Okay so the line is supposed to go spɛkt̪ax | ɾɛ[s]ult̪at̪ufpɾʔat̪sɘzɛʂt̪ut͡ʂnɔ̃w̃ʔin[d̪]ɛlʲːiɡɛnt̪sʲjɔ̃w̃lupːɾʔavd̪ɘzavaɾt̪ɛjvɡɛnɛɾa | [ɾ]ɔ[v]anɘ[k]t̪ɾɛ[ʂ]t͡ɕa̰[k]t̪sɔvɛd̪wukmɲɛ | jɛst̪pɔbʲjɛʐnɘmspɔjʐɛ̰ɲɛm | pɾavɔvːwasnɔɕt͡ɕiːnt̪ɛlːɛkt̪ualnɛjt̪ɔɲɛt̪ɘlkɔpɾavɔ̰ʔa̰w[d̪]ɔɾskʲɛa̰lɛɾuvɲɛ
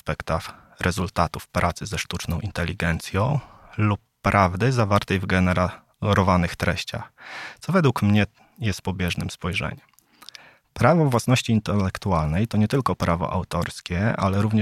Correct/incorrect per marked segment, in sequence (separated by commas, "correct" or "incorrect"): incorrect, incorrect, correct, correct, incorrect, incorrect, incorrect, incorrect